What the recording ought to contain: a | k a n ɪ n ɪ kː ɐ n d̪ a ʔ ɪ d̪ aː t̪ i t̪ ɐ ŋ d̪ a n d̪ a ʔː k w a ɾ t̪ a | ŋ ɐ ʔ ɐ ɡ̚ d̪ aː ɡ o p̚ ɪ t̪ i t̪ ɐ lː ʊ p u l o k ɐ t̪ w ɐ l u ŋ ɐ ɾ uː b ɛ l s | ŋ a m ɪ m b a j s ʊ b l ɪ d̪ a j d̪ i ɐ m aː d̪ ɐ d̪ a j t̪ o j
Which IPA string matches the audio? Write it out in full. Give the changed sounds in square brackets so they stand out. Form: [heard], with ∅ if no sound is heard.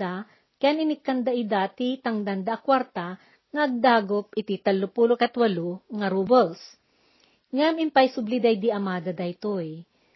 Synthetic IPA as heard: a | k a n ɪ n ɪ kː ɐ n d̪ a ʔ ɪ d̪ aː t̪ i t̪ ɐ ŋ d̪ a n d̪ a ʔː k w a ɾ t̪ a | ŋ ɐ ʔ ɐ ɡ̚ d̪ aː ɡ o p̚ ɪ t̪ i t̪ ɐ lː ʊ p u l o k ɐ t̪ w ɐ l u ŋ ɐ ɾ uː b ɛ l s | ŋ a m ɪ m [p] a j s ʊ b l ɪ d̪ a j d̪ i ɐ m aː d̪ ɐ d̪ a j t̪ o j